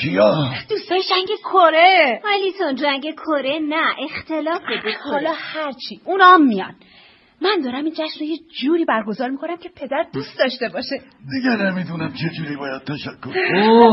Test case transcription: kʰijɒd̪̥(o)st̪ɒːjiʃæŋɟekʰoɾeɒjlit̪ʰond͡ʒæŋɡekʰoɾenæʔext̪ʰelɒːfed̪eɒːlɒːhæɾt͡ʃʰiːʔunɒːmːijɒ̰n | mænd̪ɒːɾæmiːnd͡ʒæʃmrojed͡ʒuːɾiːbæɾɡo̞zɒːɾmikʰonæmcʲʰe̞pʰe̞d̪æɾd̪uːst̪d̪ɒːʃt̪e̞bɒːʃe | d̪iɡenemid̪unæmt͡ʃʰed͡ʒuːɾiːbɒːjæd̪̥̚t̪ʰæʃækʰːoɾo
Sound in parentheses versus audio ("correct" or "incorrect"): incorrect